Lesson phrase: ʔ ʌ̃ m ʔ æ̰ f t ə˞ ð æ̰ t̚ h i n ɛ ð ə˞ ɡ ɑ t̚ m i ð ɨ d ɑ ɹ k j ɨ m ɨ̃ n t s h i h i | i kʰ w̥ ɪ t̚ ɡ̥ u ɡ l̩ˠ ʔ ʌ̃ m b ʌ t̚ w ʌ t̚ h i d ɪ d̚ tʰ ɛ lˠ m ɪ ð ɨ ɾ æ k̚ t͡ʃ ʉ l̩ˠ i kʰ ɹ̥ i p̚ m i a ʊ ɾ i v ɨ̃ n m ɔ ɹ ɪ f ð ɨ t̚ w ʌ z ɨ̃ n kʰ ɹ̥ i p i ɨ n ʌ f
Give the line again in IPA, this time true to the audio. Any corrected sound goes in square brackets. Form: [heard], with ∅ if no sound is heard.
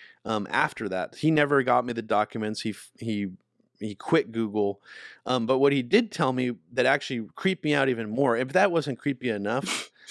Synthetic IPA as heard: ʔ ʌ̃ m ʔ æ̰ f t ə˞ ð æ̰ t̚ h i n ɛ [v] ə˞ ɡ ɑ t̚ m i ð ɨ d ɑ [∅] k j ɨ m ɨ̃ n t s h i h i | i kʰ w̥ ɪ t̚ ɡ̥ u ɡ l̩ˠ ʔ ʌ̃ m b ʌ t̚ w ʌ t̚ h i d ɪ d̚ tʰ ɛ lˠ m [i] ð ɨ ɾ æ k̚ t͡ʃ ʉ l̩ˠ i kʰ ɹ̥ i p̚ m i a ʊ ɾ i v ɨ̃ n m ɔ ɹ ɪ f ð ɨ t̚ w ʌ z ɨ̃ n kʰ ɹ̥ i p i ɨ n ʌ f